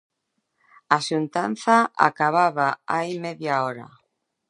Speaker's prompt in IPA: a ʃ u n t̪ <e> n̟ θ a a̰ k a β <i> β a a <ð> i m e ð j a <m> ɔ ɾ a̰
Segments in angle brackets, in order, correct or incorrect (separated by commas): incorrect, incorrect, incorrect, incorrect